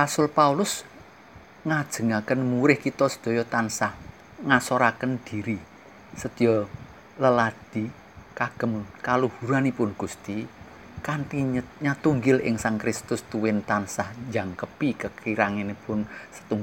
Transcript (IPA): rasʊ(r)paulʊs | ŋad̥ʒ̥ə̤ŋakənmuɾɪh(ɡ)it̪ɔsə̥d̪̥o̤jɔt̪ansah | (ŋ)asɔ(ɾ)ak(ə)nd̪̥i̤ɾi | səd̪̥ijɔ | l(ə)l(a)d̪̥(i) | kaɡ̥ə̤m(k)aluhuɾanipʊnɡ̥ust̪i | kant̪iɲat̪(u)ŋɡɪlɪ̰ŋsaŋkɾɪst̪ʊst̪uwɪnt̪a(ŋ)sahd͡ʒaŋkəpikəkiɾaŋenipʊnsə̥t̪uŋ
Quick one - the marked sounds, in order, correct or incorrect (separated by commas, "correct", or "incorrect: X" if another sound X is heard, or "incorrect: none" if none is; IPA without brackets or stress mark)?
incorrect: l, incorrect: k, correct, correct, correct, correct, correct, correct, correct, correct, incorrect: n